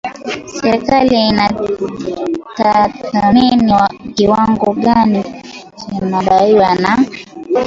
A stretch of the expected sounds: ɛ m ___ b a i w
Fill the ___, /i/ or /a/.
a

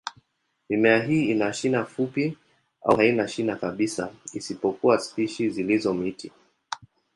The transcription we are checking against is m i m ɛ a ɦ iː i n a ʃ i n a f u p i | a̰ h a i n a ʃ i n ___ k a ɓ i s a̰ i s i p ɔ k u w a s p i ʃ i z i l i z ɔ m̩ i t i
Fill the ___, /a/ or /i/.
a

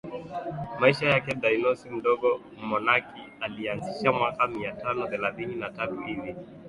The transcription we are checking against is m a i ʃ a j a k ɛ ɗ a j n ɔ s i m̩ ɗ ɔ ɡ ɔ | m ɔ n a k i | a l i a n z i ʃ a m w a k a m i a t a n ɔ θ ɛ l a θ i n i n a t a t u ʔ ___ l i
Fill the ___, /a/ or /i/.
i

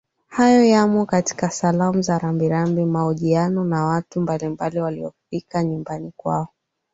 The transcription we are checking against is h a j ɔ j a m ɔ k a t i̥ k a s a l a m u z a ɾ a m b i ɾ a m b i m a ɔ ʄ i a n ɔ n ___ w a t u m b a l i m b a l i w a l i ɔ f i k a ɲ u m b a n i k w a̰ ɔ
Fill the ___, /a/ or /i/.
a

